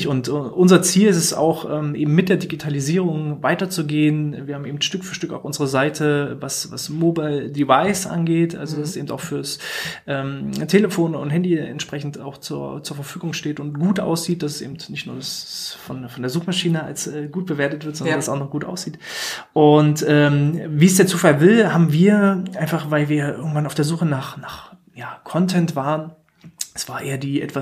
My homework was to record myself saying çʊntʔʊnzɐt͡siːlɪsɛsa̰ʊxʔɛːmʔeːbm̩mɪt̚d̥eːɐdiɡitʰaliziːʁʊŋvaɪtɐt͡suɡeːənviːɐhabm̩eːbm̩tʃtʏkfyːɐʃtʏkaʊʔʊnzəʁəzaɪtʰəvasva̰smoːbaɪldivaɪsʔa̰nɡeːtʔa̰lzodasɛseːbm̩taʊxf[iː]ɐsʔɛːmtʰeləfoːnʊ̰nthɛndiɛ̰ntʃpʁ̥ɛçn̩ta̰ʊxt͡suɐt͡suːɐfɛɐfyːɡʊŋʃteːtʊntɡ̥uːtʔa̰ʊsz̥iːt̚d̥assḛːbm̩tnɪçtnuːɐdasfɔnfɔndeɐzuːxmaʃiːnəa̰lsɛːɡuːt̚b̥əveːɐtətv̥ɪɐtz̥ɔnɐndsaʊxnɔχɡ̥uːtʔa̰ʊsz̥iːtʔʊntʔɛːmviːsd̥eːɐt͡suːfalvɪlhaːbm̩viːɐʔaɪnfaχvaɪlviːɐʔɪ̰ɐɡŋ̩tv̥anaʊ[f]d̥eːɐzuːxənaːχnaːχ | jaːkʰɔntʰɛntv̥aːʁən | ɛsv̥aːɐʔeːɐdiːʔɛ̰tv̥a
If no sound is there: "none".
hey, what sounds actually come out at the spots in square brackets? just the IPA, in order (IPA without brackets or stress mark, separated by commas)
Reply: yː, f